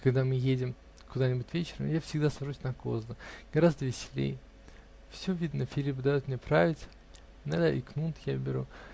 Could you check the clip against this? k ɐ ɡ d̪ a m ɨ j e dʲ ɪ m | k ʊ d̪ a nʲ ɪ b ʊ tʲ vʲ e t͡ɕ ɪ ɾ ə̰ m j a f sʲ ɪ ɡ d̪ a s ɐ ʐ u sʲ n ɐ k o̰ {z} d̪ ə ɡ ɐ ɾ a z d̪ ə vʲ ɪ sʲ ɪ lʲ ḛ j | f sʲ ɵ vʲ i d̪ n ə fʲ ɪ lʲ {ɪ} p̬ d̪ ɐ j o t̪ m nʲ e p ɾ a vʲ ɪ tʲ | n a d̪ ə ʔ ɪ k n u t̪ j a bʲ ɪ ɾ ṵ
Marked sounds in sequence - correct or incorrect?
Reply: correct, incorrect: i

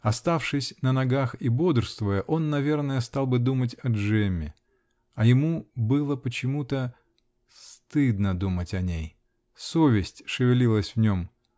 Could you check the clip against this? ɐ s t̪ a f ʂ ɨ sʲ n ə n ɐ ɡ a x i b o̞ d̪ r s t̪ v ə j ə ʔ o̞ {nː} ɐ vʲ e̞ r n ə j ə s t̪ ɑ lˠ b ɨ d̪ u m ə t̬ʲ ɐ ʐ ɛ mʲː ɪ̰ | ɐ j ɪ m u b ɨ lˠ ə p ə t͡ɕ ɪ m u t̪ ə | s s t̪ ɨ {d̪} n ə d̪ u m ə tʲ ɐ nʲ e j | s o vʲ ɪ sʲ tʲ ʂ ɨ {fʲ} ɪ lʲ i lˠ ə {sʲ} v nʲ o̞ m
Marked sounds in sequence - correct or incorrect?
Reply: correct, correct, incorrect: vʲ, correct

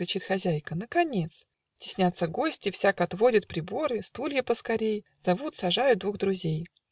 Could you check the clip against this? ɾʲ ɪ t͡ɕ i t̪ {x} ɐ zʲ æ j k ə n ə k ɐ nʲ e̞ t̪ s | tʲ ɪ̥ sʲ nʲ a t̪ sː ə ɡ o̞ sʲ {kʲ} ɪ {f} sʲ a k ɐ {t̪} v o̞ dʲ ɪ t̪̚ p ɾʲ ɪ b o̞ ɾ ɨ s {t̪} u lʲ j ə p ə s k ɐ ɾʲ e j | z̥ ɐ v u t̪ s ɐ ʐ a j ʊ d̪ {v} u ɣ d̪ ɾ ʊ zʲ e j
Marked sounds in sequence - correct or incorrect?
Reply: correct, incorrect: tʲ, correct, correct, correct, correct

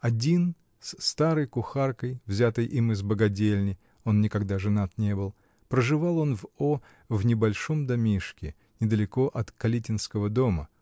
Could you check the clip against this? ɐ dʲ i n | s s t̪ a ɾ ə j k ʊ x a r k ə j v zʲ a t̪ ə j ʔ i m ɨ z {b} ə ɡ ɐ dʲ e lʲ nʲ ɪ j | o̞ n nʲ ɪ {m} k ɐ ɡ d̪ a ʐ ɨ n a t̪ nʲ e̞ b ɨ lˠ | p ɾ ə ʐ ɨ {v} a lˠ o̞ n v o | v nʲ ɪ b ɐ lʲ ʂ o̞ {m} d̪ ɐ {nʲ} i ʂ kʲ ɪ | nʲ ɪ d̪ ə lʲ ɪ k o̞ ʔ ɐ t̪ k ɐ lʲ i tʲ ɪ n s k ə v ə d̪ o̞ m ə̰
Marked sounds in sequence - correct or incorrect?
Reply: correct, incorrect: none, correct, correct, incorrect: mʲ

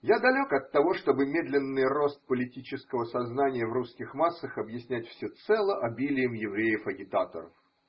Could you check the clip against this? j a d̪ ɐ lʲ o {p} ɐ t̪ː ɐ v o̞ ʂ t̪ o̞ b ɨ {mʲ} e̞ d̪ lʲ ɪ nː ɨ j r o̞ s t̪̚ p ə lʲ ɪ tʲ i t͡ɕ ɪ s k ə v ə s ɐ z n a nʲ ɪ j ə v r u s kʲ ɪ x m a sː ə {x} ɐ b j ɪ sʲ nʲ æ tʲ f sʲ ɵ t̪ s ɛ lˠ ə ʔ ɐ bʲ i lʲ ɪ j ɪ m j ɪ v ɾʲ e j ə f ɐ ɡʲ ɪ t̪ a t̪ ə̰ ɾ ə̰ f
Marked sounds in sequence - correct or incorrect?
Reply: incorrect: k, correct, correct

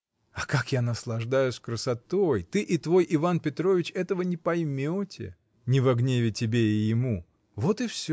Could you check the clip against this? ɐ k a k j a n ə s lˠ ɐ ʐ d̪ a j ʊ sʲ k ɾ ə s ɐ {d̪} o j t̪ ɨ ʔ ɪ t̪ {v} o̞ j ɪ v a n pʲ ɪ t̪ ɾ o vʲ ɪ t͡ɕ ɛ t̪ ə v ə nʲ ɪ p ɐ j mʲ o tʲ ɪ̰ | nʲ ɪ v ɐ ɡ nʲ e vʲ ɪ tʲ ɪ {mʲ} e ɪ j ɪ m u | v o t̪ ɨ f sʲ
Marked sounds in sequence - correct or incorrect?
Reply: incorrect: t̪, correct, incorrect: bʲ

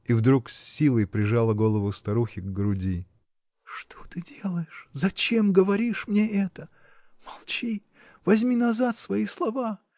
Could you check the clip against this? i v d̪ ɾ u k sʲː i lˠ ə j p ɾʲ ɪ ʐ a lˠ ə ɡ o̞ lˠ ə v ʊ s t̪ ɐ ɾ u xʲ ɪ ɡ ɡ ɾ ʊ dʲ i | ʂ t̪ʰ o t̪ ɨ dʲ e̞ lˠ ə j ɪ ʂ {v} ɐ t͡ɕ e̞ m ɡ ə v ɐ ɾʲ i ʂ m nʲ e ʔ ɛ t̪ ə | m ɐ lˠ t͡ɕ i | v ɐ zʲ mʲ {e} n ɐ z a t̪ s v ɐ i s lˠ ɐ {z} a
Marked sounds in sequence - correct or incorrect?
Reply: incorrect: z, incorrect: i, incorrect: v

